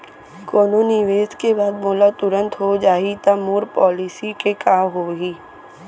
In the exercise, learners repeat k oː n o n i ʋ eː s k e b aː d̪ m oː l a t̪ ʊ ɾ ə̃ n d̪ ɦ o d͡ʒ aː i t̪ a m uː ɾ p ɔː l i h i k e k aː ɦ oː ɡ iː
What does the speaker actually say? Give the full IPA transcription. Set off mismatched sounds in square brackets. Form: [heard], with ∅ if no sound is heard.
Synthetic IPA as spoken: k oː n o n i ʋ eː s k e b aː d̪ m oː l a t̪ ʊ ɾ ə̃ n [t̪] ɦ o d͡ʒ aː i t̪ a m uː ɾ p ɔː l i [s] i k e k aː ɦ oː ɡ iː